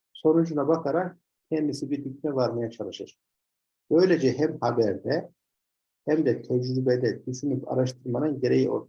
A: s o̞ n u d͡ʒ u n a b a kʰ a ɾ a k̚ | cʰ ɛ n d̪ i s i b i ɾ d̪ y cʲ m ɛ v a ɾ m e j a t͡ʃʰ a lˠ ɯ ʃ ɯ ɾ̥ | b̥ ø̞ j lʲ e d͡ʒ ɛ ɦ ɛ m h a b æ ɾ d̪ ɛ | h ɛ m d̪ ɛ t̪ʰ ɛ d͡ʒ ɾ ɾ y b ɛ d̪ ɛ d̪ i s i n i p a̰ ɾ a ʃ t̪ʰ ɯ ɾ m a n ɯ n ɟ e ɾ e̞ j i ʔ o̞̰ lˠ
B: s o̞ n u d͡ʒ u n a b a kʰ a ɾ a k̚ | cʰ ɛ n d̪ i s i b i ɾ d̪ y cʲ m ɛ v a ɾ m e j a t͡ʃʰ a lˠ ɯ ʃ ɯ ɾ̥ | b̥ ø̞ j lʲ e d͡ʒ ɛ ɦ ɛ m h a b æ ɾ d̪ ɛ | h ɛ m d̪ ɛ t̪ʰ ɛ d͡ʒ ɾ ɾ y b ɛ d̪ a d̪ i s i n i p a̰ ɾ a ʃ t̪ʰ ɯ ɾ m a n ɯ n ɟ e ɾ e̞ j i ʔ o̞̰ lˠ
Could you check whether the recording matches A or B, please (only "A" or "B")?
A